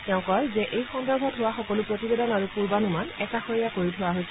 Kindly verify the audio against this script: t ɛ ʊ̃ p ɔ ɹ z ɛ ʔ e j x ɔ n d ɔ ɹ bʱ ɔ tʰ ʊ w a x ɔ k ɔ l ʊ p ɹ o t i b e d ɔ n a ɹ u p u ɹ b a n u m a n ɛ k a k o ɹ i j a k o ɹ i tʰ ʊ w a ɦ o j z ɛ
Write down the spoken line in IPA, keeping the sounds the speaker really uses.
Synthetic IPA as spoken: t ɛ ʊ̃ k ɔ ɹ z ɛ ʔ e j x ɔ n d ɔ ɹ bʱ ɔ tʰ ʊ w a x ɔ k ɔ l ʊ p ɹ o t i b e d ɔ n a ɹ u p u ɹ b a n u m a n ɛ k a x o ɹ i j a k o ɹ i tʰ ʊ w a ɦ o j s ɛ